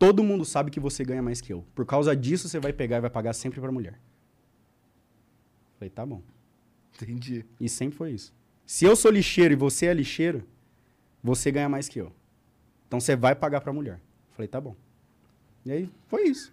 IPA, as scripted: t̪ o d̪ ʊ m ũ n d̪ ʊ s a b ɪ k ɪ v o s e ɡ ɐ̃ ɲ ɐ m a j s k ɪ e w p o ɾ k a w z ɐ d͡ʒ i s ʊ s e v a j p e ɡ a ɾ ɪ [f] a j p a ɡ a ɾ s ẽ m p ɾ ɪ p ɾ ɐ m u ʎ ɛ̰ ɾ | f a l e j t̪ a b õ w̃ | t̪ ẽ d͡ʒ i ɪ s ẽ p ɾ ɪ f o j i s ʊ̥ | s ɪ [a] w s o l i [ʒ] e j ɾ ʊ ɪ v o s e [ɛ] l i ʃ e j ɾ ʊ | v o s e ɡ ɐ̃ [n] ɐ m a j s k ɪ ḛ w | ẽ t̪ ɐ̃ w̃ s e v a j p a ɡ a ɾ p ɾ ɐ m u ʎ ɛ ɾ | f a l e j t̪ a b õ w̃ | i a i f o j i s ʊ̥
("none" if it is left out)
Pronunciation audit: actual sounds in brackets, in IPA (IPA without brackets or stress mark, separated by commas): v, e, ʃ, ɛ, ɲ